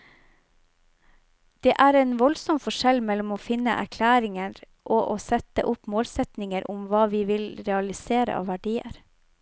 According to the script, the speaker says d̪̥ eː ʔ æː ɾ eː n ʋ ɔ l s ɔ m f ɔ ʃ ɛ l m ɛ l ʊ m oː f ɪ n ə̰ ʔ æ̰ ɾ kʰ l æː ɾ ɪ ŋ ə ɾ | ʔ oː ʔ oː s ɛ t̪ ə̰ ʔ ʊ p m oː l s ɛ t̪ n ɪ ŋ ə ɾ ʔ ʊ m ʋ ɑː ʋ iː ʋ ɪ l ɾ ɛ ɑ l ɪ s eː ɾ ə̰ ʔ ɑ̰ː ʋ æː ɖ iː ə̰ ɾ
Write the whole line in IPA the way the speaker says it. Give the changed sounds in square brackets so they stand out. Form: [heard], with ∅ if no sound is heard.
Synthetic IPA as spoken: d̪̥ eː ʔ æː ɾ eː n ʋ ɔ l s ɔ m f ɔ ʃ ɛ l m ɛ l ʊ m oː f ɪ n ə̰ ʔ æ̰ ɾ kʰ l æː ɾ ɪ ŋ ə ɾ | ʔ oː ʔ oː s ɛ t̪ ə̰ ʔ ʊ p m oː l s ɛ t̪ n ɪ ŋ ə ɾ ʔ ʊ m ʋ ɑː ʋ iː ʋ ɪ l ɾ ɛ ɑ l ɪ s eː ɾ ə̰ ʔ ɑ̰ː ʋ [æ] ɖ iː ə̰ ɾ

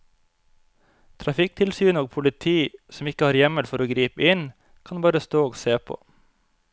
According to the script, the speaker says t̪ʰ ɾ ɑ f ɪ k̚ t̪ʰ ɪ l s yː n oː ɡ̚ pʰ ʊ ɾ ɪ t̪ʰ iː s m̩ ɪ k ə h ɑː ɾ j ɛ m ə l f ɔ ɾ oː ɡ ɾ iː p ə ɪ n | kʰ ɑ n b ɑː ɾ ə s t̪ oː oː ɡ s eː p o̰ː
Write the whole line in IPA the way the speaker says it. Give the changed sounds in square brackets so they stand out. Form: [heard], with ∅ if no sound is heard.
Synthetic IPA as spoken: t̪ʰ ɾ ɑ f ɪ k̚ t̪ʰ ɪ l s yː n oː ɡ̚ pʰ ʊ [l] ɪ t̪ʰ iː s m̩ ɪ k ə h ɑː ɾ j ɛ m ə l f ɔ ɾ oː ɡ ɾ iː p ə ɪ n | kʰ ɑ n b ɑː ɾ ə s t̪ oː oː ɡ s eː [pʰ] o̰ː

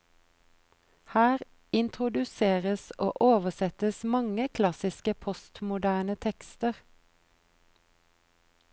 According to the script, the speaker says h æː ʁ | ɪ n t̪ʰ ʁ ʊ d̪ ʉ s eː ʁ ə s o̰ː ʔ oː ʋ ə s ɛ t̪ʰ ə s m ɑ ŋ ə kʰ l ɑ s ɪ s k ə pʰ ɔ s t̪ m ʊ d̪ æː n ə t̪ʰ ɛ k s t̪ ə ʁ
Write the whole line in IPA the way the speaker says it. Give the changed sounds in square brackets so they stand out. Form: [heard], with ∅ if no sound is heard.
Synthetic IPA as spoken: h æː ʁ | ɪ n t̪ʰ ʁ ʊ d̪ ʉ s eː ʁ ə s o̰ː ʔ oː ʋ ə s ɛ [t̪] ə s m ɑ ŋ ə kʰ l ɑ s ɪ s k ə pʰ ɔ s t̪ m ʊ d̪ æː n ə t̪ʰ ɛ k s t̪ ə ʁ

